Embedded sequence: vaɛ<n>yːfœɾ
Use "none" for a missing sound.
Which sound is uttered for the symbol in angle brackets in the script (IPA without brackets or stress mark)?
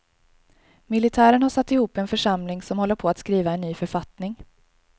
nː